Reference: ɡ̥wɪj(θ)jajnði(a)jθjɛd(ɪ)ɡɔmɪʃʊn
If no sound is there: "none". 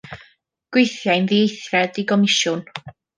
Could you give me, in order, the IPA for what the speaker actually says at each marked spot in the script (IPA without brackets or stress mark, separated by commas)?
θ, e, i